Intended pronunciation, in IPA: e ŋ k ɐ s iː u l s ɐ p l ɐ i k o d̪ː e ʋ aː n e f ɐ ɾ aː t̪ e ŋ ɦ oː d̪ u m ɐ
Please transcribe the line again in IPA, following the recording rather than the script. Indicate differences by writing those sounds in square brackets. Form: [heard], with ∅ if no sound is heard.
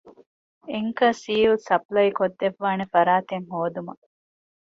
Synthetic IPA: e ŋ k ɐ s iː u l s ɐ p l ɐ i k o d̪ː e [ʋː] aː n e f ɐ ɾ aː t̪ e ŋ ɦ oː d̪ u m ɐ

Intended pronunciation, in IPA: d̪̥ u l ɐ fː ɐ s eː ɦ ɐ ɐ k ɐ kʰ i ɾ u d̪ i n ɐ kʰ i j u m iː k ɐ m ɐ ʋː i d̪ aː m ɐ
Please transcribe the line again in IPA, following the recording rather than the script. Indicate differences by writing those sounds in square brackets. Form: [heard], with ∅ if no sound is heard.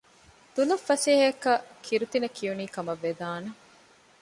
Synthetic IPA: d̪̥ u l ɐ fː ɐ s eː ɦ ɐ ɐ k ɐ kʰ i ɾ u [t̪] i n ɐ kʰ i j u [n] iː k ɐ m ɐ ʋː [e] d̪ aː [n] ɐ

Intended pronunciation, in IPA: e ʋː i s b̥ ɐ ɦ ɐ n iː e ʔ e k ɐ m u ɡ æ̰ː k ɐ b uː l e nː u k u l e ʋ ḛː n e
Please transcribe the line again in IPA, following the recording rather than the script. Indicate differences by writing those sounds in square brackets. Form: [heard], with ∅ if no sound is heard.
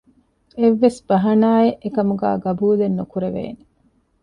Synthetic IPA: e ʋː [e] s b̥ ɐ ɦ ɐ n [aː] e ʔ e k ɐ m u ɡ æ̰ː [ɡ] ɐ b uː l e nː u k u [ɾ] e ʋ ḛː n e

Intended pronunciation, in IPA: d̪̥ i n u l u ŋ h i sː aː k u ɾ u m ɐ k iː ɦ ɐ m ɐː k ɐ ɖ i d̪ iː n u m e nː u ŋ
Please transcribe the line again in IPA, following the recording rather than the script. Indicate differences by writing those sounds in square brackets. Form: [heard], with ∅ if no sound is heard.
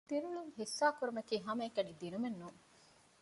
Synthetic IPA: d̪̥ i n u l u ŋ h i sː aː k u ɾ u m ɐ k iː ɦ ɐ m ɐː k ɐ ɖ i d̪ [i] n u m e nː u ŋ

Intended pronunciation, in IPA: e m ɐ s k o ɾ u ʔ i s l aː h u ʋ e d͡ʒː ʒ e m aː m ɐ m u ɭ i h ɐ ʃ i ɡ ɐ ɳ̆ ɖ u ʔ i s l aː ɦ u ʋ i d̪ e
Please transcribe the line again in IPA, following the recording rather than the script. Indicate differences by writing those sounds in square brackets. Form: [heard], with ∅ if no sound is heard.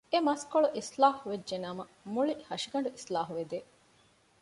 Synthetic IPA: e m ɐ s k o [ɭ] u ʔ i s l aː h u ʋ e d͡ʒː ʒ e [n] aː m ɐ m u ɭ i h ɐ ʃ i ɡ ɐ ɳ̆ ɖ u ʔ i s l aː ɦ u ʋ [e] d̪ e

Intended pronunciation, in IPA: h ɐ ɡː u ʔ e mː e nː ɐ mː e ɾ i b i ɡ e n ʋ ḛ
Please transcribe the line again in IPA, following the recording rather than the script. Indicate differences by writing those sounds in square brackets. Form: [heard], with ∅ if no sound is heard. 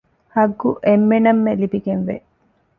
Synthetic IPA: h ɐ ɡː u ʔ e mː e [n] ɐ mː e [l] i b i ɡ e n ʋ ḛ

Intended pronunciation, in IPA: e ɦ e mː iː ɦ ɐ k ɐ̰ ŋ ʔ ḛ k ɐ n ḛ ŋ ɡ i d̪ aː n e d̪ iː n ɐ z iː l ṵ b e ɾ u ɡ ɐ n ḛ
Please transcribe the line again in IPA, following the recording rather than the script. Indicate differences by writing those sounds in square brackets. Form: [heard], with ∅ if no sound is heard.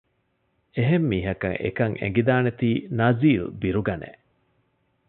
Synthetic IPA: e ɦ e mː iː ɦ ɐ k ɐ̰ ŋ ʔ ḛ k ɐ [ŋ] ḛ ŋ ɡ i d̪ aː n e [t̪] iː n ɐ z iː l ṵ b [i] ɾ u ɡ ɐ n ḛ

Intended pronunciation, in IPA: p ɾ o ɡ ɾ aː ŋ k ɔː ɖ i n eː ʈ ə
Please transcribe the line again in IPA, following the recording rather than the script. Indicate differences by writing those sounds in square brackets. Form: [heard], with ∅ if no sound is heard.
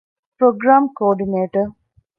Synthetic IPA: p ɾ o ɡ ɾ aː [m] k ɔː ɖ i n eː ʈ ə

